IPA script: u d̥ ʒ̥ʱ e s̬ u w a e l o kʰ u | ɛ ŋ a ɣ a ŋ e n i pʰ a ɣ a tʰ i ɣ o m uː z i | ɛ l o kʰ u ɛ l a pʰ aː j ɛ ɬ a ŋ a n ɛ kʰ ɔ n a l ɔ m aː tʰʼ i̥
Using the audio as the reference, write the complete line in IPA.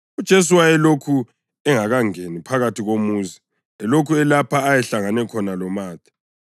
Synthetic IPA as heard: u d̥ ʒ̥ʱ e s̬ u w a ɛ l o kʰ u | ɛ ŋ a ɣ a ŋ e n i pʰ a ɣ a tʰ i ɣ o m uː z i | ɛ l o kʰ u ɛ l a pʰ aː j ɛ ɬ a ŋ a n ɛ kʰ ɔ n a l ɔ m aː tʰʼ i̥